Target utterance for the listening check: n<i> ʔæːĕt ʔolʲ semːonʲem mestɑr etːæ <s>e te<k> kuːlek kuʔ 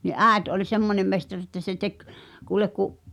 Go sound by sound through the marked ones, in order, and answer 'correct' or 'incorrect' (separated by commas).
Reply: correct, correct, correct